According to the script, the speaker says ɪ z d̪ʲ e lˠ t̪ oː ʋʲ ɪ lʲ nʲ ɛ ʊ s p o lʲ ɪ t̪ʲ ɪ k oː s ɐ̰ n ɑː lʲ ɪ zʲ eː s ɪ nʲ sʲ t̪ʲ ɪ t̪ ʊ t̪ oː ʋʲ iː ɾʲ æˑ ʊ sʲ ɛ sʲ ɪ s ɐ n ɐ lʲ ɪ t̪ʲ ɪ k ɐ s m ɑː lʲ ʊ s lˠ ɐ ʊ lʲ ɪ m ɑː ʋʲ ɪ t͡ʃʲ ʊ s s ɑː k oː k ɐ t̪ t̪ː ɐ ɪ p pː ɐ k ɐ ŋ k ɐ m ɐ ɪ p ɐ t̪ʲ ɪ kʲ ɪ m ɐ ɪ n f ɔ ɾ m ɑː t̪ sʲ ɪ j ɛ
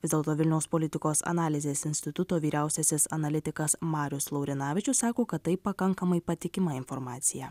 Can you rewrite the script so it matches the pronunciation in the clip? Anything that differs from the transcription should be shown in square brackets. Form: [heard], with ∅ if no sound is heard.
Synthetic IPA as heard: ɪ z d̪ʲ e lˠ t̪ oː ʋʲ ɪ lʲ nʲ ɛ ʊ s p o lʲ ɪ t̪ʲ ɪ k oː s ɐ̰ n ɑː lʲ ɪ zʲ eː s ɪ nʲ sʲ t̪ʲ ɪ t̪ ʊ t̪ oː ʋʲ iː ɾʲ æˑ ʊ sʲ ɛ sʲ ɪ s ɐ n ɐ lʲ ɪ t̪ʲ ɪ k ɐ s m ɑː [ɾʲ] ʊ s lˠ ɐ ʊ [ɾʲ] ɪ [n] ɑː ʋʲ ɪ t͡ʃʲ ʊ s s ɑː k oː k ɐ t̪ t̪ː ɐ ɪ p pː ɐ k ɐ ŋ k ɐ m ɐ ɪ p ɐ t̪ʲ ɪ kʲ ɪ m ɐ ɪ n f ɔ ɾ m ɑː t̪ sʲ ɪ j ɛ